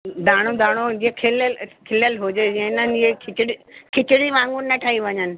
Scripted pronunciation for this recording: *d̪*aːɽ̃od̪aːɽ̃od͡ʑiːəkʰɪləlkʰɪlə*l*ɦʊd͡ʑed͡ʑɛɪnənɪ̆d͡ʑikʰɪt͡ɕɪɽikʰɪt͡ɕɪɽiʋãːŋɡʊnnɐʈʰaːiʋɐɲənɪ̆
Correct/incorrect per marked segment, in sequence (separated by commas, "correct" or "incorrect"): correct, correct